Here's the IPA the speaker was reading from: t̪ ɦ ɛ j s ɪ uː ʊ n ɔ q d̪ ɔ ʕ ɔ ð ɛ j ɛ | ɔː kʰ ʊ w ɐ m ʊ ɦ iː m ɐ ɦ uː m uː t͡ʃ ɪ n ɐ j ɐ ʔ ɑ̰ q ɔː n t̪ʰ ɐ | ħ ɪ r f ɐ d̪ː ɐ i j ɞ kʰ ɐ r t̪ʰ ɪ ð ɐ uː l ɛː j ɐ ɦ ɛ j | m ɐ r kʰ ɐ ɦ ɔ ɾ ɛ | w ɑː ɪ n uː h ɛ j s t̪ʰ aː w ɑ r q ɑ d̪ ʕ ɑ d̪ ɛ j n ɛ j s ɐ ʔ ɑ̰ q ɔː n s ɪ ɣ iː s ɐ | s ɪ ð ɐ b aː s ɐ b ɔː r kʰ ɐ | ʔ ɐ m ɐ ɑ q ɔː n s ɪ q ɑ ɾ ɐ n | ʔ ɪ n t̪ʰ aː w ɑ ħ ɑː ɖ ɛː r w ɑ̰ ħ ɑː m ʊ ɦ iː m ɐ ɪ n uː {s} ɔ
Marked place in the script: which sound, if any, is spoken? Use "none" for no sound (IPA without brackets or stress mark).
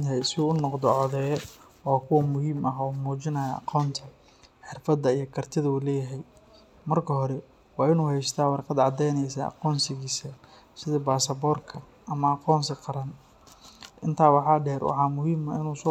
s